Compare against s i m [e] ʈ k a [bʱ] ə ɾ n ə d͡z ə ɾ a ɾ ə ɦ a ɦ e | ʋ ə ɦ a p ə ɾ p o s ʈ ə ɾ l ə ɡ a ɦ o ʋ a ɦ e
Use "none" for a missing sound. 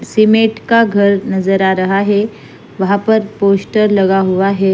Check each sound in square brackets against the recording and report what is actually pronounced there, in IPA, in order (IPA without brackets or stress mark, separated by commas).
e, ɡʱ